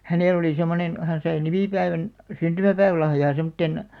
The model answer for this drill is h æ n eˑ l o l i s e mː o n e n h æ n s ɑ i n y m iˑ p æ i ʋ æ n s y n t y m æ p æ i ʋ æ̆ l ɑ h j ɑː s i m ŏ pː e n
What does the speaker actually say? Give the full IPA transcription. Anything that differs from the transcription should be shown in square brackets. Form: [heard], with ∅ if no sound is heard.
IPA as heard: h æ n eˑ l o l i s e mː o n e n h æ n s ɑ i n [i] m iˑ p æ i ʋ æ n s y n t y m æ p æ i ʋ æ̆ l ɑ h j ɑː s [e] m ŏ [tː] e n